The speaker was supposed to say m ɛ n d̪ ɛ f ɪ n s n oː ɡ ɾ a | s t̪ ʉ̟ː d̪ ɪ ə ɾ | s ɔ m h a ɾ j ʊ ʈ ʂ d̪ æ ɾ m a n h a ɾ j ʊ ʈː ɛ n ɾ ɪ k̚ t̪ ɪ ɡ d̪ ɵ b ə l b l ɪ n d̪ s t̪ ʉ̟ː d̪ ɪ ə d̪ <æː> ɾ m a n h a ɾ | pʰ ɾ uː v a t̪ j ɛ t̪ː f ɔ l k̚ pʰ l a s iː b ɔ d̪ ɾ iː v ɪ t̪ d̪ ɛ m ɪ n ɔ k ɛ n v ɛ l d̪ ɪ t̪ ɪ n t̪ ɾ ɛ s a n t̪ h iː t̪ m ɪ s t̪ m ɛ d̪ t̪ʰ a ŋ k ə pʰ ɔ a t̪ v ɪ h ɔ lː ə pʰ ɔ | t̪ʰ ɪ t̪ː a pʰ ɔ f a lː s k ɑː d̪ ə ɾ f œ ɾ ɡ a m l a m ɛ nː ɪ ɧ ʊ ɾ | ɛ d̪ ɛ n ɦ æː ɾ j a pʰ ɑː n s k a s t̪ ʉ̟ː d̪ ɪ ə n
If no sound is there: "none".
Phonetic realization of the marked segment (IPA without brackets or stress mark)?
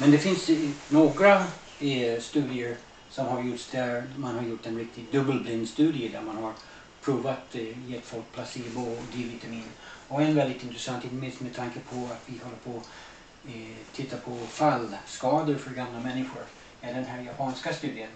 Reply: æ